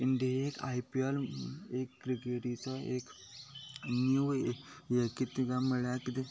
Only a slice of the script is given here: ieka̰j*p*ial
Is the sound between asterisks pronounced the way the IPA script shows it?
yes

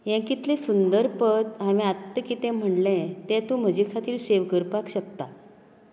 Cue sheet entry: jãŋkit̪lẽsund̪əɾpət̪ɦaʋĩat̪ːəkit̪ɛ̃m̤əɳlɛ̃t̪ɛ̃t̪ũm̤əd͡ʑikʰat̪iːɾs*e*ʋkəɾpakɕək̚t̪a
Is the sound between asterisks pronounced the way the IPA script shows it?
yes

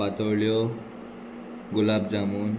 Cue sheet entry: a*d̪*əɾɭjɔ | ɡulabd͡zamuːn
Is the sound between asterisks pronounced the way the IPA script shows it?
no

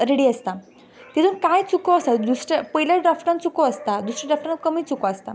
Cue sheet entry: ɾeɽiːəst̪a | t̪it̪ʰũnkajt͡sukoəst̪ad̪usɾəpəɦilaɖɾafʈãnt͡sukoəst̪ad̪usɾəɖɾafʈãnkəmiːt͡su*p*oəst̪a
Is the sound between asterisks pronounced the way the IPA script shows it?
no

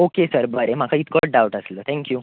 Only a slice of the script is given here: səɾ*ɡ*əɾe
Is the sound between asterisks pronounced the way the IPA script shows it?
no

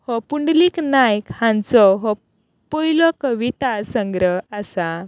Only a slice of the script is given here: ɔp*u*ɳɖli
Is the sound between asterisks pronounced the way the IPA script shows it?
yes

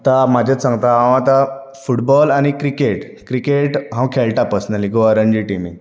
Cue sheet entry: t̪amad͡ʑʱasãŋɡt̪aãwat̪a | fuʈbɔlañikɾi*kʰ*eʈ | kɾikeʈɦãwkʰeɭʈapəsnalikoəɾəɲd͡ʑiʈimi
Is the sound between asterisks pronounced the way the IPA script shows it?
no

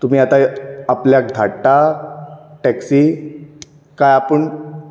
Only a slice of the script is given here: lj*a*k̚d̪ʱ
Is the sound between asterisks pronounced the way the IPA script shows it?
yes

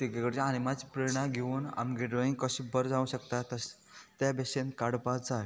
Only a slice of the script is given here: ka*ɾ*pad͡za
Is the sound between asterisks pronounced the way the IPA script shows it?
no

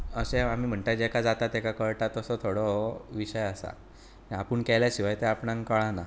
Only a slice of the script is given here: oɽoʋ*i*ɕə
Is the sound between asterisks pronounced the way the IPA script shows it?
yes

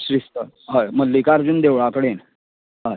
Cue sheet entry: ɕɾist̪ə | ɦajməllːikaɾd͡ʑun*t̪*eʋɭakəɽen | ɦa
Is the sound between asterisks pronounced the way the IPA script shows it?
no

